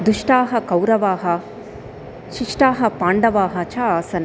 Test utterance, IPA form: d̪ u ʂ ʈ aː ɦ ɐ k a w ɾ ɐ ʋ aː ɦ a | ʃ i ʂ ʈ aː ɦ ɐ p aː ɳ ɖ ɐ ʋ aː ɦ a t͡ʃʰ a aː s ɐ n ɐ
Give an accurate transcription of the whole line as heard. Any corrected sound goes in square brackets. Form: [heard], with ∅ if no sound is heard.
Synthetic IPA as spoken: d̪ u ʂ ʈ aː ɦ ɐ k [ɐ] w ɾ ɐ ʋ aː ɦ [ɐ] | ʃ i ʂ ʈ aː ɦ ɐ p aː ɳ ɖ ɐ ʋ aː ɦ [ɐ] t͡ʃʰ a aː s ɐ n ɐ